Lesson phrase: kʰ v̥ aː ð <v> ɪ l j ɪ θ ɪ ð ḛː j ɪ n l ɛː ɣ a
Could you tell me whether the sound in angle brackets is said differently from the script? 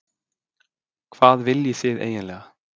no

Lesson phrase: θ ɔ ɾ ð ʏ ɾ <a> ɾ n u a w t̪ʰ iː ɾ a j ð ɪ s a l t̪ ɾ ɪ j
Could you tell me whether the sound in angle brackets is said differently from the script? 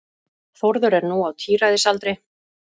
yes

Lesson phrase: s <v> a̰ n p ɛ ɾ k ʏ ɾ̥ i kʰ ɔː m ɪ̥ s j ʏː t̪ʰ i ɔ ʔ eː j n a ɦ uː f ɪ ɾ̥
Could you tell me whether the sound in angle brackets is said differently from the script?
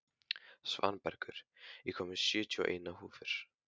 no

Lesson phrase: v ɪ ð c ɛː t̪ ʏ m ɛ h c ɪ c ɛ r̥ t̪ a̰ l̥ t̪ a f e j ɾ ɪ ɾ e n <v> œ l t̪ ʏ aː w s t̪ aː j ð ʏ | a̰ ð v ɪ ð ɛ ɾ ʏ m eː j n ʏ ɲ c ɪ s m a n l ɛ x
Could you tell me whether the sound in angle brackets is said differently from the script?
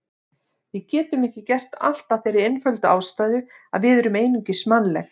yes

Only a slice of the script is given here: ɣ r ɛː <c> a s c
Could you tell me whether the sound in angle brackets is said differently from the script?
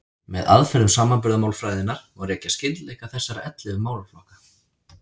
no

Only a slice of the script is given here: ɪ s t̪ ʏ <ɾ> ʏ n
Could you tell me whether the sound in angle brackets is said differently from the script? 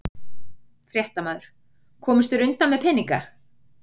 no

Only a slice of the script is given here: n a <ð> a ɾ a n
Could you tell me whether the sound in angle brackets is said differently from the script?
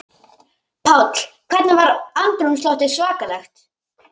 yes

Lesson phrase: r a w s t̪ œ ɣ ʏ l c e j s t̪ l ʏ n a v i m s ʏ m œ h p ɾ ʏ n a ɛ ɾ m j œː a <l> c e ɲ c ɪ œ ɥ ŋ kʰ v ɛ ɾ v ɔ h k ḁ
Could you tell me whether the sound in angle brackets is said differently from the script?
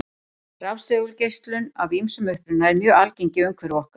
no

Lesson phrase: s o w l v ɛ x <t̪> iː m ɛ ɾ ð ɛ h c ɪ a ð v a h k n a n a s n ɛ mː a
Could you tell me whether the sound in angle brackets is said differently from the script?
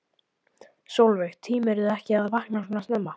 yes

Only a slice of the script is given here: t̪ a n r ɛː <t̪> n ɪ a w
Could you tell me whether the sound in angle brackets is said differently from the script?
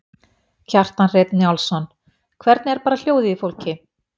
no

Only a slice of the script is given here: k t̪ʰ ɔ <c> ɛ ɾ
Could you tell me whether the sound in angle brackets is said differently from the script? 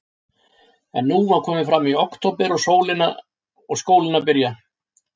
yes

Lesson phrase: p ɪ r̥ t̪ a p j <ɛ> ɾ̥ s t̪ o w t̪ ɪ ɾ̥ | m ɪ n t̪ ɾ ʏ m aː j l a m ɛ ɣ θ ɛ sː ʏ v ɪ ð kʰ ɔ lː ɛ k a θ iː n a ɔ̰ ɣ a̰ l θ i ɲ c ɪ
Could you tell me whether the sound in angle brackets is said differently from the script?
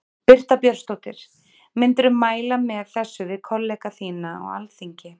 yes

